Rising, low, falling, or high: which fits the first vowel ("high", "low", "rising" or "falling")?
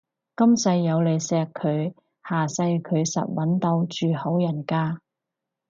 high